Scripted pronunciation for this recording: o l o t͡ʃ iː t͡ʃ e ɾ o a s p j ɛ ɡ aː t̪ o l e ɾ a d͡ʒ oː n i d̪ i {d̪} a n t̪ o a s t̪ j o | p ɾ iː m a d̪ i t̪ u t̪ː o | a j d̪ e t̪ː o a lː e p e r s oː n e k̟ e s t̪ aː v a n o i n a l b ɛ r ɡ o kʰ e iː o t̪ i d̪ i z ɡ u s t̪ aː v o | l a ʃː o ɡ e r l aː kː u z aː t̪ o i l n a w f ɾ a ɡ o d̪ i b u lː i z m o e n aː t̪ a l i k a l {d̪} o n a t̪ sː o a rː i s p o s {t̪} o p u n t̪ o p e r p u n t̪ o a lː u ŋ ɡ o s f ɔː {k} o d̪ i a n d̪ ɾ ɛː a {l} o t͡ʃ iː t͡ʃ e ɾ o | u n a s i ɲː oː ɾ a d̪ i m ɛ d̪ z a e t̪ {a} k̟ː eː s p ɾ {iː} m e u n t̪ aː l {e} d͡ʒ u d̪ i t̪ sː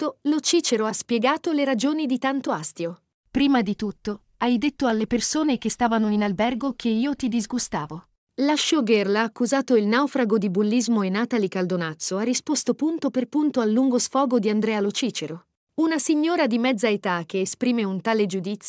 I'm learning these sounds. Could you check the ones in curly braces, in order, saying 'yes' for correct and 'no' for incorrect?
no, yes, yes, no, yes, yes, yes, yes

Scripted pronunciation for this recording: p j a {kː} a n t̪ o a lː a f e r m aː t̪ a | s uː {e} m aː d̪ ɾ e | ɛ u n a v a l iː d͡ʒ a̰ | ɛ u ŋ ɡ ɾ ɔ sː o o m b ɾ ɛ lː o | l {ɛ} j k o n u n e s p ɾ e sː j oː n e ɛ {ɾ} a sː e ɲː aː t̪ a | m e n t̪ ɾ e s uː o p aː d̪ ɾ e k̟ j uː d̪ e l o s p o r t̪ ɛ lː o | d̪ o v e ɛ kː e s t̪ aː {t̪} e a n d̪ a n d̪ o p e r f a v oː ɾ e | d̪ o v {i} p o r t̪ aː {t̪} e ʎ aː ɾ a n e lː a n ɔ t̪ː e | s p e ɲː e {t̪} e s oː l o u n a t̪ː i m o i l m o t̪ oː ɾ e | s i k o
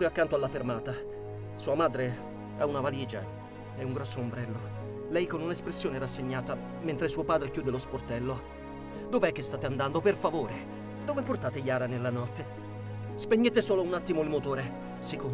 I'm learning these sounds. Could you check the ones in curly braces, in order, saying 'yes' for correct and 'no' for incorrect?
yes, no, yes, yes, yes, no, yes, yes

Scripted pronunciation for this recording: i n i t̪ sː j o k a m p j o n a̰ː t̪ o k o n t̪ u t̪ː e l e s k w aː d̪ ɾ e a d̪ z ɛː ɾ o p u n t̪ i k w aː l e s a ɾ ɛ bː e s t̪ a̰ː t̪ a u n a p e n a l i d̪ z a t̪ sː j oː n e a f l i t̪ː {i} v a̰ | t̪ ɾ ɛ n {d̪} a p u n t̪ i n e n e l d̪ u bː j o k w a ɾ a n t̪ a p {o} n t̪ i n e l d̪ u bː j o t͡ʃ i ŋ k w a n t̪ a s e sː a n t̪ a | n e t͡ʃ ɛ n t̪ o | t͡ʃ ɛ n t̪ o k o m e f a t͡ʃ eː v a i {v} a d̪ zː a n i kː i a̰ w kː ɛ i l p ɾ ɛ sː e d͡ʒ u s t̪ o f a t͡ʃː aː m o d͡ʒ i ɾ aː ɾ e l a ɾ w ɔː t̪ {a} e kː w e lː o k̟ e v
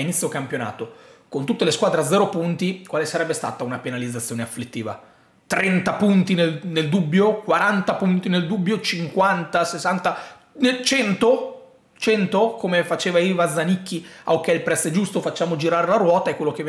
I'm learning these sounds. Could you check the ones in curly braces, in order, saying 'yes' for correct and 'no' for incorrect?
no, no, no, yes, yes

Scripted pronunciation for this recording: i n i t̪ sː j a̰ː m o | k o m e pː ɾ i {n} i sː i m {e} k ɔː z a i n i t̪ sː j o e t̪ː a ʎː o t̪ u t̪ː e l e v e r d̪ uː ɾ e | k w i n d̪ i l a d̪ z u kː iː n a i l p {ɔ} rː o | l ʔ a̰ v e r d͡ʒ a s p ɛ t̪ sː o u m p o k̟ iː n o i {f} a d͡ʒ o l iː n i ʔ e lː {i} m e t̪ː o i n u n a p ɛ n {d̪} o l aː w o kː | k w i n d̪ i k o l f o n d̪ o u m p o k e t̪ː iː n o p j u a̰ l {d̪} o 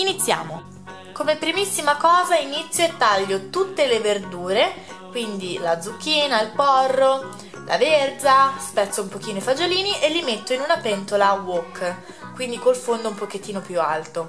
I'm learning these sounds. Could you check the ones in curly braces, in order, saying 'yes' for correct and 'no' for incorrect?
no, no, yes, yes, yes, no, no

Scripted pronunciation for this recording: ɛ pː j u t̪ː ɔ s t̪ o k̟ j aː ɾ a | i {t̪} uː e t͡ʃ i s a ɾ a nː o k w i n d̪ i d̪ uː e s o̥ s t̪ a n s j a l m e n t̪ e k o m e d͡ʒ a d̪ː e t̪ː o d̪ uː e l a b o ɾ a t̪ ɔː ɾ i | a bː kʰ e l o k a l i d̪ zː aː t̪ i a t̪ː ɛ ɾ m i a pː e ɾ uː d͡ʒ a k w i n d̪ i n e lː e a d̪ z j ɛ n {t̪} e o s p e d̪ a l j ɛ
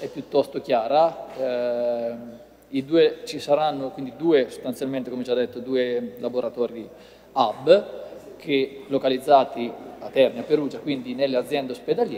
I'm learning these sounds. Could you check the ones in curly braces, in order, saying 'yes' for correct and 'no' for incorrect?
no, no

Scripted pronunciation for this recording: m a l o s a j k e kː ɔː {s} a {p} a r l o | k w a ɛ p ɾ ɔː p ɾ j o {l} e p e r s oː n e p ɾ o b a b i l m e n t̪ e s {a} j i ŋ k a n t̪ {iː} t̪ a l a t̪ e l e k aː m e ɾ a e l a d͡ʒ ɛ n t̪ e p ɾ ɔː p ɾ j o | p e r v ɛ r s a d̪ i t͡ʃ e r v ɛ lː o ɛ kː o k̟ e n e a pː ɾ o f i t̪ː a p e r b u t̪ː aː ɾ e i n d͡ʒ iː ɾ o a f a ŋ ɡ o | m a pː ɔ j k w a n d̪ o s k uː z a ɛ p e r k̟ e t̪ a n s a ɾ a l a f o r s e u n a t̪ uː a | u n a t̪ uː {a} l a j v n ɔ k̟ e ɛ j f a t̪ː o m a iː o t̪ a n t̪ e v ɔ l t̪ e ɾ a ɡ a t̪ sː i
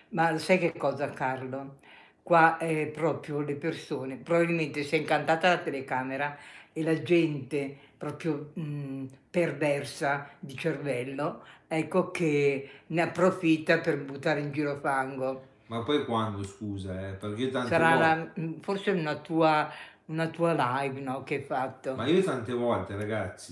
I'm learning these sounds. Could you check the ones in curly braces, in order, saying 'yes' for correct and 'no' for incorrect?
no, no, yes, no, no, yes

